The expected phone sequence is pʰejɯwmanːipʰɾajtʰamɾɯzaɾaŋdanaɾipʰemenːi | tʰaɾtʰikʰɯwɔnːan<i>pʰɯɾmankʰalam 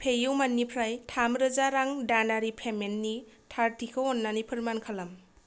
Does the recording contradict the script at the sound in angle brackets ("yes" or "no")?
no